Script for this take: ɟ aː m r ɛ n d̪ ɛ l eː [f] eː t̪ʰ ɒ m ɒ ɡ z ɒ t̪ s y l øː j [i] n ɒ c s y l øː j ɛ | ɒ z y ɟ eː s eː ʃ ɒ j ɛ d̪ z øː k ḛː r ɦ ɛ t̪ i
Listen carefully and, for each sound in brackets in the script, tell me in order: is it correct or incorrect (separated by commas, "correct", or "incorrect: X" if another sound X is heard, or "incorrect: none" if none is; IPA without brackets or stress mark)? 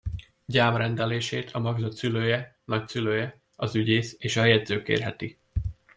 incorrect: ʃ, incorrect: ɛ